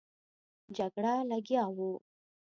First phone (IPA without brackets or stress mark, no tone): d͡ʒ